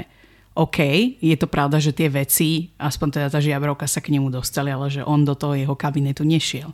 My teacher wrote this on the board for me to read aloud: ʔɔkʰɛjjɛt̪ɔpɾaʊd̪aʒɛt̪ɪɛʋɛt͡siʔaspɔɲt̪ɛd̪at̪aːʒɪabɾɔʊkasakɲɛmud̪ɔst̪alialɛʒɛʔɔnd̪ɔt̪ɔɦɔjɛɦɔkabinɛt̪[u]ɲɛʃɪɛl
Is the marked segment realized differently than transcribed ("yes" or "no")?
no